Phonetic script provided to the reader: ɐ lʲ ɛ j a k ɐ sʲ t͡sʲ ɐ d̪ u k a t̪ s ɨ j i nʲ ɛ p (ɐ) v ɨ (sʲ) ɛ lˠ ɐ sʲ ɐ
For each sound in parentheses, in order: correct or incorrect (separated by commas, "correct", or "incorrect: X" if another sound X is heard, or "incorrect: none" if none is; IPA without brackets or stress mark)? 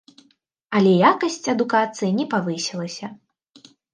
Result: incorrect: a, correct